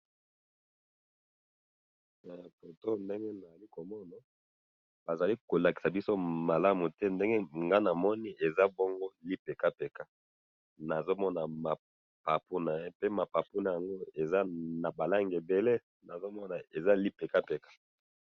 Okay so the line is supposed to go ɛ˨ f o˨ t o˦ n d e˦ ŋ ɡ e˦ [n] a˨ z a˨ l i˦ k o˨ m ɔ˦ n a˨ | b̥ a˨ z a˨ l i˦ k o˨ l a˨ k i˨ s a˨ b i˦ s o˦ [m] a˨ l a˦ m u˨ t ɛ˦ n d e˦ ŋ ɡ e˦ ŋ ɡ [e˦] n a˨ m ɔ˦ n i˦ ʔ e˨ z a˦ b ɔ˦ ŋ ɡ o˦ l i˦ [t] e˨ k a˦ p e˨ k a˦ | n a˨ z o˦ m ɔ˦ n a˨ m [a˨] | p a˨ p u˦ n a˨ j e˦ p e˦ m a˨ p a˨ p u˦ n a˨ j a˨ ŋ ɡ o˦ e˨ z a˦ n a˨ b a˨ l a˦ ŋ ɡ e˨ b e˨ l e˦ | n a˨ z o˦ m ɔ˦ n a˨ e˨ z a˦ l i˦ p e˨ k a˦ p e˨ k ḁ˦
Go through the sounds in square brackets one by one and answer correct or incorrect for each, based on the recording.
correct, correct, incorrect, incorrect, correct

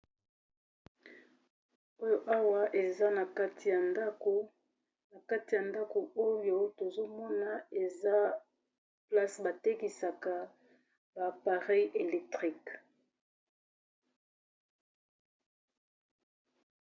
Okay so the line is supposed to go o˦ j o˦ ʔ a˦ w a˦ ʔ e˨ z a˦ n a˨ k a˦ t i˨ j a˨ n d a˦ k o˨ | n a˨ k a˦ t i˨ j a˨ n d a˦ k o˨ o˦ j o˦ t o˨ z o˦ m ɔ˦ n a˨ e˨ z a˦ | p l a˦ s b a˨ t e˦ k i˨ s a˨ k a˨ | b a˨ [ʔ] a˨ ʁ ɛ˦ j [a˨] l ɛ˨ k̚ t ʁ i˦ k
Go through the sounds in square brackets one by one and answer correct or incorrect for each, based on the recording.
incorrect, incorrect

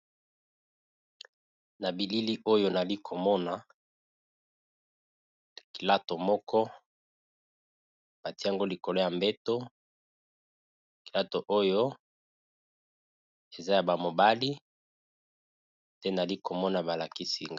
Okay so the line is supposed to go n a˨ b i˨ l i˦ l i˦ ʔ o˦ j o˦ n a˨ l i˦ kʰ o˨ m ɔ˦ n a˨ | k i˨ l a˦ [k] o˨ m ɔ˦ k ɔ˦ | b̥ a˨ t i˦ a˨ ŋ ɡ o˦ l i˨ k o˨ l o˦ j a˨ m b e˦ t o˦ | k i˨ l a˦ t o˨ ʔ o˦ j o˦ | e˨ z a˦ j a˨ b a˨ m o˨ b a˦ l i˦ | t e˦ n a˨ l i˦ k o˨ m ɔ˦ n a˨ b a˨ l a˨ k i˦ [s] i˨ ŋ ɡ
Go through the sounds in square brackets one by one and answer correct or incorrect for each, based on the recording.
incorrect, correct

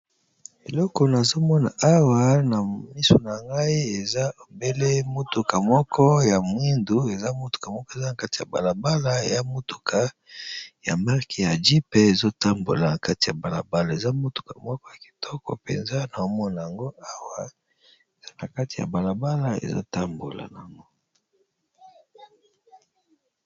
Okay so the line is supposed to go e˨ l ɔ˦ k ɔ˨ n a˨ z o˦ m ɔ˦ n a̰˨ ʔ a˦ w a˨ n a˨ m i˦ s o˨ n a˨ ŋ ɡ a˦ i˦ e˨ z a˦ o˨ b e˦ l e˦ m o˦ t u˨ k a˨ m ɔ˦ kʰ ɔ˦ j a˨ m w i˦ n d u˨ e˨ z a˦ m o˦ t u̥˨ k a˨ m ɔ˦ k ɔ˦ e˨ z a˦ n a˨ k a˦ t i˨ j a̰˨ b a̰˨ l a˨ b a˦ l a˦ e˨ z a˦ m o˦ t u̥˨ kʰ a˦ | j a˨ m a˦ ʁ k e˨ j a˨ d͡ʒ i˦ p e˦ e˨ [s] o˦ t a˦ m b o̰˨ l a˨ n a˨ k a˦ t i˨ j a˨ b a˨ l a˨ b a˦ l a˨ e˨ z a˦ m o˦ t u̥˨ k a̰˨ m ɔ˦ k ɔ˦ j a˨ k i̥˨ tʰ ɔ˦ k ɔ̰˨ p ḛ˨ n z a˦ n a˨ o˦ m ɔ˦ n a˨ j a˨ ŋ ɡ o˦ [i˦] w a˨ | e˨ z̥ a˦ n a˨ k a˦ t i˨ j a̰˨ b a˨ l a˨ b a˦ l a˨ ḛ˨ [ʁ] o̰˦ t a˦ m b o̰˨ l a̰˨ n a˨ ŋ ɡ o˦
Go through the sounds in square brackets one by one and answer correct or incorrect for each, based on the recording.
incorrect, incorrect, incorrect

